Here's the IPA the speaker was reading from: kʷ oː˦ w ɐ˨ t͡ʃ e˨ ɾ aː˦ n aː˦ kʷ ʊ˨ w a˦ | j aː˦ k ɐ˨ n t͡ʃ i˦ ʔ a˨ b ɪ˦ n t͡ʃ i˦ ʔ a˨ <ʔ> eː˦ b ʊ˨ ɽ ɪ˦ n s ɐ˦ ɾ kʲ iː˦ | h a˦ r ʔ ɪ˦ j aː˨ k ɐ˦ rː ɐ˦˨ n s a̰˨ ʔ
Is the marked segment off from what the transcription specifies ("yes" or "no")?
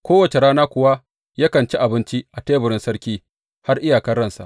yes